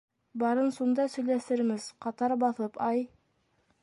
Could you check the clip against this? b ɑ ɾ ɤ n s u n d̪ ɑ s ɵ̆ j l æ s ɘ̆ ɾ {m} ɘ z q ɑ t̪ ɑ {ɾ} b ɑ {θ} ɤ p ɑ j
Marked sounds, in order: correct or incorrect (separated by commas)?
correct, correct, correct